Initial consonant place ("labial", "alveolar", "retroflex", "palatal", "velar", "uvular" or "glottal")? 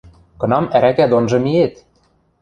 velar